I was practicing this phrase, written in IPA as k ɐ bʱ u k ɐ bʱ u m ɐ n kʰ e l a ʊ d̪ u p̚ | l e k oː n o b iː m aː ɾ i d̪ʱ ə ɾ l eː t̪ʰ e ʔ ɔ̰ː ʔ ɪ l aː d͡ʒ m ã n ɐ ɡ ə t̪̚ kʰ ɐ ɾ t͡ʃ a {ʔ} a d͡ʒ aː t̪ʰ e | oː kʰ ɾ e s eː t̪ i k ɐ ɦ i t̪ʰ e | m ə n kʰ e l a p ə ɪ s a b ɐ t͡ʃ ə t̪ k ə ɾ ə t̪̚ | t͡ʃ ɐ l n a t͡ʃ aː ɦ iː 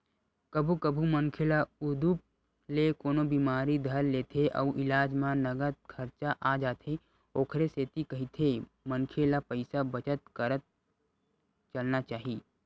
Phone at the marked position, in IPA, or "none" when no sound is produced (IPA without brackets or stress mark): ʔ